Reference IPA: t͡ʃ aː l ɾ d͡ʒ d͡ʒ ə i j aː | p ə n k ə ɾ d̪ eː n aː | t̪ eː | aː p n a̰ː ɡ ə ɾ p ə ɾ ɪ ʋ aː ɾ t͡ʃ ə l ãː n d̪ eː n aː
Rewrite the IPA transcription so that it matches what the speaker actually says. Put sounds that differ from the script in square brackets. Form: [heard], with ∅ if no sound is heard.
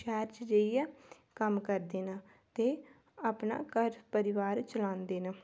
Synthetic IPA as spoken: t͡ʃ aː [∅] ɾ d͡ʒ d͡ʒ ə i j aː | [k] ə [m] k ə ɾ d̪ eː n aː | t̪ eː | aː p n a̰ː [k] ə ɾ p ə ɾ ɪ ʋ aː ɾ t͡ʃ ə l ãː n d̪ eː n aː